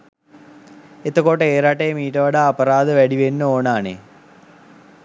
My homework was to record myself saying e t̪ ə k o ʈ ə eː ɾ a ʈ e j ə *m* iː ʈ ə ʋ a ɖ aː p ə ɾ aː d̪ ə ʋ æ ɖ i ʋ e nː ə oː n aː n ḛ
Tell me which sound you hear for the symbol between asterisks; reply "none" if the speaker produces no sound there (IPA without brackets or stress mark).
m